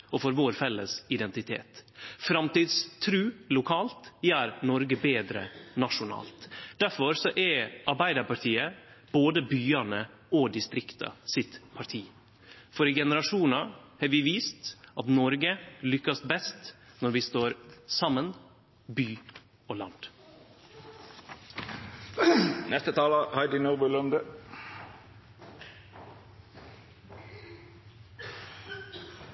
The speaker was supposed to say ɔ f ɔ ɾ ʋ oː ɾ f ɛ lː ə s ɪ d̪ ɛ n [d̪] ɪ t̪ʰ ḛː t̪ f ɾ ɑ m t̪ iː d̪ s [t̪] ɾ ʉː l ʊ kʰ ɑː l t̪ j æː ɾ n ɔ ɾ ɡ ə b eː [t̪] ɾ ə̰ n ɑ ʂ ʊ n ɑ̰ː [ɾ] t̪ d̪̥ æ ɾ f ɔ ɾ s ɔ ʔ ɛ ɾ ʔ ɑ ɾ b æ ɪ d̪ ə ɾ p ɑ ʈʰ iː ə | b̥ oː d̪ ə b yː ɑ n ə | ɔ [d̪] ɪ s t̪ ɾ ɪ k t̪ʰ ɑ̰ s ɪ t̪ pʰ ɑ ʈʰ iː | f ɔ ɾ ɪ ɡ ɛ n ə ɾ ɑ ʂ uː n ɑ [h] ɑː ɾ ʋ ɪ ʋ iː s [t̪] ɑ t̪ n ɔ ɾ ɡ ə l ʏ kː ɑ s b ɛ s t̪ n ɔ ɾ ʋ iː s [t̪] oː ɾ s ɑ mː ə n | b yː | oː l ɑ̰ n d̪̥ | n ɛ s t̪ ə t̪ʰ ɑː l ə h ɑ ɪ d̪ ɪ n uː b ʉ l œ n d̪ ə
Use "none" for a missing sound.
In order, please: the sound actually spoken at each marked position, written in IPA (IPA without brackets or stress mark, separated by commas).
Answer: t̪, t̪ʰ, d̪, l, d̪, h, t̪, t̪